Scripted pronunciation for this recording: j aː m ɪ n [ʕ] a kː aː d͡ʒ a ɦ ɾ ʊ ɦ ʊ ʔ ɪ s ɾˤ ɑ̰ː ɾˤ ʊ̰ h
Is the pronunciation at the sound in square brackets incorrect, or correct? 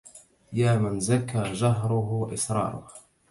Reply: incorrect